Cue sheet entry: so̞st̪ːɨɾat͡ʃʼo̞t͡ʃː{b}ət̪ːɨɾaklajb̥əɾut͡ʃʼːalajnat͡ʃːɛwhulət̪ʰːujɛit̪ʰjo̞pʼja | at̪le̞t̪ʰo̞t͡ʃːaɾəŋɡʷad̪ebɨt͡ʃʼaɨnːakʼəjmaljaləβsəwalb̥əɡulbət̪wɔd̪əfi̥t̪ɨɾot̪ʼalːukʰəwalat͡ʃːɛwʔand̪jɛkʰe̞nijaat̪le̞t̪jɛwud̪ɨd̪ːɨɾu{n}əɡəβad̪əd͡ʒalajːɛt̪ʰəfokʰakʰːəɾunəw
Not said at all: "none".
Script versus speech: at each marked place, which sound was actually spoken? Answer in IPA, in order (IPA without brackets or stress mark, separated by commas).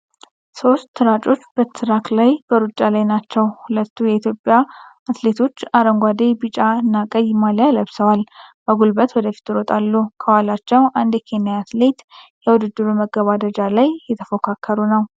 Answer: b, m